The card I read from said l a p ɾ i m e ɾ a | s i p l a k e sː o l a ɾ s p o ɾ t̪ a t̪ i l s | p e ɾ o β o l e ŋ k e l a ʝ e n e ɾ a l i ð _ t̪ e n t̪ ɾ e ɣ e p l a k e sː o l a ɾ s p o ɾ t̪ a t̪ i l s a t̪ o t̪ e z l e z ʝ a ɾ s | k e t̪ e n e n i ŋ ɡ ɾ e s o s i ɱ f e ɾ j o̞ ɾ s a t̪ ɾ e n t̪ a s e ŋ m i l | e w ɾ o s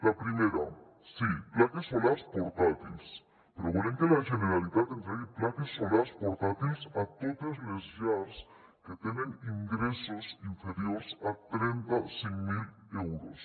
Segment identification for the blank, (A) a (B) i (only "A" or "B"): A